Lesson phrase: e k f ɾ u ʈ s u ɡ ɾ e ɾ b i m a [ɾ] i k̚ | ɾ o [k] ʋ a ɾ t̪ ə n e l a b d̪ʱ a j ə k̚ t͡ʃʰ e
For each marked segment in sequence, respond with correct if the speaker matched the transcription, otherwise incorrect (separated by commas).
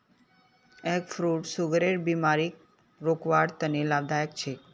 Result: correct, correct